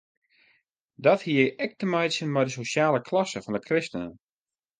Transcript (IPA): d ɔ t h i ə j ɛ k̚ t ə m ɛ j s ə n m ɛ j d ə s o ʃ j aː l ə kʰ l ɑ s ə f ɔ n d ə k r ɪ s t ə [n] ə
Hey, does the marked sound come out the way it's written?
yes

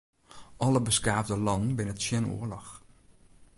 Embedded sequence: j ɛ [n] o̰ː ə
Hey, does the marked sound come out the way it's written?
yes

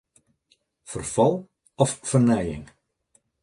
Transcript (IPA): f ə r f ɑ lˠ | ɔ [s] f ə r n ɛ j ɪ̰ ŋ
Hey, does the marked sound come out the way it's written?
no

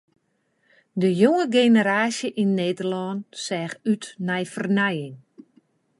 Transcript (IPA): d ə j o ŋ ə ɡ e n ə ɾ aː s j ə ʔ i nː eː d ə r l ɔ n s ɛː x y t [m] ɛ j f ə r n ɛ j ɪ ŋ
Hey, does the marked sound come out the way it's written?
no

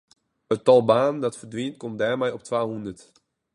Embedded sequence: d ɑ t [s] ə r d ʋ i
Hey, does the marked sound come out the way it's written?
no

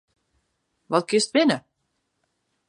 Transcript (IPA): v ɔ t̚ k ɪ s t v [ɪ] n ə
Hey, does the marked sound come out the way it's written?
yes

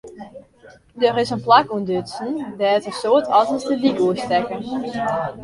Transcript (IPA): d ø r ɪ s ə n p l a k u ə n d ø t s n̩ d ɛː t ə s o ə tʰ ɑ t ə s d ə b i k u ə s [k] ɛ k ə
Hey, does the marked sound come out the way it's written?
no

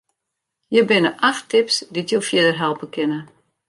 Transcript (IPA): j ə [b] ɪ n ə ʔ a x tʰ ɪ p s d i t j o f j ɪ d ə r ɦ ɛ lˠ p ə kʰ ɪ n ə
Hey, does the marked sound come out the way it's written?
yes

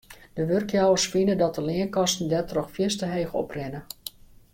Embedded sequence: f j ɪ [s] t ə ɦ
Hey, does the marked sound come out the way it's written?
yes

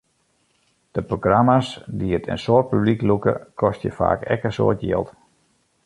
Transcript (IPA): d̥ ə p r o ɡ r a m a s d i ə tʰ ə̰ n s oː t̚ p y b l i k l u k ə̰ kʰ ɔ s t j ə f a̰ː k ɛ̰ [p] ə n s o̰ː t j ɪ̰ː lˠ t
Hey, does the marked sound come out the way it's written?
no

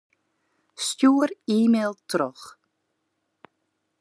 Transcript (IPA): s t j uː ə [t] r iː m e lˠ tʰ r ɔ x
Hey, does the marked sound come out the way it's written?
no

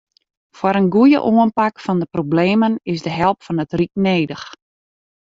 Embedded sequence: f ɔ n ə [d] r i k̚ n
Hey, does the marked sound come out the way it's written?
no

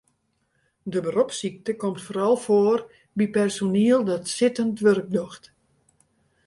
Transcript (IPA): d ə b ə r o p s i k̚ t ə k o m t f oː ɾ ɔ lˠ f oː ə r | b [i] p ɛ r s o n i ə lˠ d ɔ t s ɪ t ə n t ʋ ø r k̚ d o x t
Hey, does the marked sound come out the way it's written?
yes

